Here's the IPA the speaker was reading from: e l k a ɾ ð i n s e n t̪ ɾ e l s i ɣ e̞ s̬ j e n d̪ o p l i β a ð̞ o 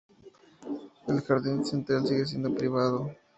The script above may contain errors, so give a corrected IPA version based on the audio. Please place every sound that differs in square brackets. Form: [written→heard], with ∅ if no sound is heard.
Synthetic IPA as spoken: e l [k→x] a ɾ ð i n s e n t̪ ɾ [e→a] l s i ɣ e̞ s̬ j e n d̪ o p [l→ɾ] i β a ð̞ o